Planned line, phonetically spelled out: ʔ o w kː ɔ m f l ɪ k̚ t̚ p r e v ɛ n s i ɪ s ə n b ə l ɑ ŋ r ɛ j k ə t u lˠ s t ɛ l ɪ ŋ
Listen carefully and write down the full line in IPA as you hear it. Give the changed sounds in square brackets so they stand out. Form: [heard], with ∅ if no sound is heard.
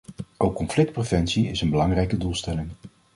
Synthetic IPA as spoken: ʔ o w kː ɔ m f l ɪ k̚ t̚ p r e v ɛ n s i ɪ s ə n b ə l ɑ ŋ r ɛ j k ə [d] u lˠ s t ɛ l ɪ ŋ